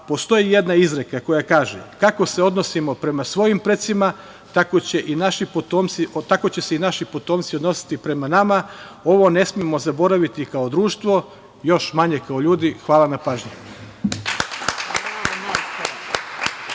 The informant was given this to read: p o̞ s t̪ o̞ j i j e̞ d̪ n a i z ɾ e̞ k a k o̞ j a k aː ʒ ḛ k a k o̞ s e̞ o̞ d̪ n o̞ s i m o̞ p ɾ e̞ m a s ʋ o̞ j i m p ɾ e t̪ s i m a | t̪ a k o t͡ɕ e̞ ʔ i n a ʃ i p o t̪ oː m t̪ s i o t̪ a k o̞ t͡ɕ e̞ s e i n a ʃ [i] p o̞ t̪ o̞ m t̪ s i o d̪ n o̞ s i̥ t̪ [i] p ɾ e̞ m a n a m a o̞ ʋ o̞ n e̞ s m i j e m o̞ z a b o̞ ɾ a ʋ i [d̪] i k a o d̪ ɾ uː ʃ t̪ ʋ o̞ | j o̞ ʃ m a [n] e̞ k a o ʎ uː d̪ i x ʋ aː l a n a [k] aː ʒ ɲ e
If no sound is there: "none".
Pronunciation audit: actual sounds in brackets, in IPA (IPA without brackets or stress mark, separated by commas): i, i, t̪, ɲ, p